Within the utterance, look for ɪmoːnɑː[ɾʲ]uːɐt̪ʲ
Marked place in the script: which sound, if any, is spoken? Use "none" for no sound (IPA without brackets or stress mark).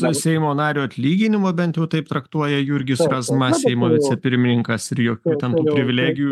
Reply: ɾʲ